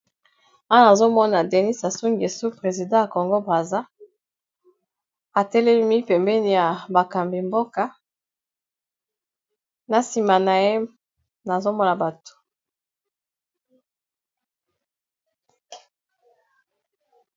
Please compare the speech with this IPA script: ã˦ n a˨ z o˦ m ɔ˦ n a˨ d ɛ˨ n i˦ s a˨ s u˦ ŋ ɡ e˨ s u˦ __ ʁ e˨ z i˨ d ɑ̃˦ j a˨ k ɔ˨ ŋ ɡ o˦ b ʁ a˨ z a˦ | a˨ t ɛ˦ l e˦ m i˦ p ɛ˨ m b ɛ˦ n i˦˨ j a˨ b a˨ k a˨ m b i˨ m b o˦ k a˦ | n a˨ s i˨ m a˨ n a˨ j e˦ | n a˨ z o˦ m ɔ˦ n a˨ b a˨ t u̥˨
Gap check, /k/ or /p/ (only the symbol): p